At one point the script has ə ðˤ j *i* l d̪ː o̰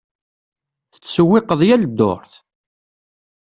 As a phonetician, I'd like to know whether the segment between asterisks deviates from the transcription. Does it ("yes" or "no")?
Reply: yes